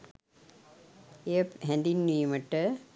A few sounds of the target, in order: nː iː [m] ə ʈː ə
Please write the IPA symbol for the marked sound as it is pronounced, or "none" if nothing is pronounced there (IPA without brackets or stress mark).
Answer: m